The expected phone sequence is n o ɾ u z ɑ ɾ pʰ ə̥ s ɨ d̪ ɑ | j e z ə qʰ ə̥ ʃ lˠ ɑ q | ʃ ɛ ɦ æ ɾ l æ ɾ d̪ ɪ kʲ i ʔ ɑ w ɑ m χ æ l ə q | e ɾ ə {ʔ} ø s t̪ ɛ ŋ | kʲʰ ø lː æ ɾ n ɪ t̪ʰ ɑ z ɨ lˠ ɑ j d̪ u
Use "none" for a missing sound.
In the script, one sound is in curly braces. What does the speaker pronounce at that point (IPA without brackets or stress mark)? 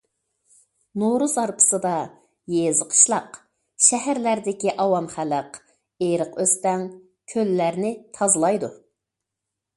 q